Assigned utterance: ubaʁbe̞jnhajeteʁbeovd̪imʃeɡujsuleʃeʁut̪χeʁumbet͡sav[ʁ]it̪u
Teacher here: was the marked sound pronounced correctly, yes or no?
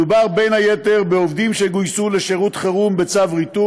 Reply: yes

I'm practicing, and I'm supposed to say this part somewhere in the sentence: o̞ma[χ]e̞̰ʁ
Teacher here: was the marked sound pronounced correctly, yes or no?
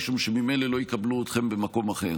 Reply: yes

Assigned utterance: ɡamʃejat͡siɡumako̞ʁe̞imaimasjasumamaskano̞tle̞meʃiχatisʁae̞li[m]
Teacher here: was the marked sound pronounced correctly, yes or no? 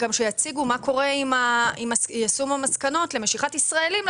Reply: yes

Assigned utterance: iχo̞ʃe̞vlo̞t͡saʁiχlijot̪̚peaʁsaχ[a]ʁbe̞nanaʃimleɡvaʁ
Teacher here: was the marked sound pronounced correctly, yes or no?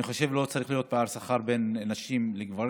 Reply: yes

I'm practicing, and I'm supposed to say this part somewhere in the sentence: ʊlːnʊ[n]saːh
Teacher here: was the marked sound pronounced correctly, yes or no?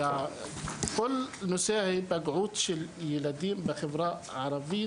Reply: no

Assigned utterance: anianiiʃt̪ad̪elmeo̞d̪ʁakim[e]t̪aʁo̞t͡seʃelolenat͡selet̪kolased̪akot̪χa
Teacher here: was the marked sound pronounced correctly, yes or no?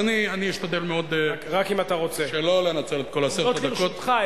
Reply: no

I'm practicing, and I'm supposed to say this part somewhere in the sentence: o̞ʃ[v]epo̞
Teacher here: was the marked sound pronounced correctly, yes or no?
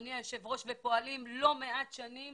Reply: yes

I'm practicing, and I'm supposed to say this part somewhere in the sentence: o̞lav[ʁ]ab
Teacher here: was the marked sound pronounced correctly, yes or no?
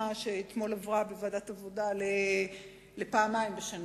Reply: yes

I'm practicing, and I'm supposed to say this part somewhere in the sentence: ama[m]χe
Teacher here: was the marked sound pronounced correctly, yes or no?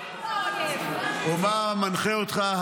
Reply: no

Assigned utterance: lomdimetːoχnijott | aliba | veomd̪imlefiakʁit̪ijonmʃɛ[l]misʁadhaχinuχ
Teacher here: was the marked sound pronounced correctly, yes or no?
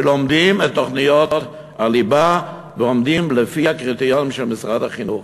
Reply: yes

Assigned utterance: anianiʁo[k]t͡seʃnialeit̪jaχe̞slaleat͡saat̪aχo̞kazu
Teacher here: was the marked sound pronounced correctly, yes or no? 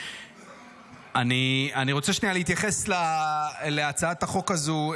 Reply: no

